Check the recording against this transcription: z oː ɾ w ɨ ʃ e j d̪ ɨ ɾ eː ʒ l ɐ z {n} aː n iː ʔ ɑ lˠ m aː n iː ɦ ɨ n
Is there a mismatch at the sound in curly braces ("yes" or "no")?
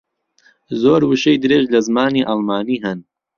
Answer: yes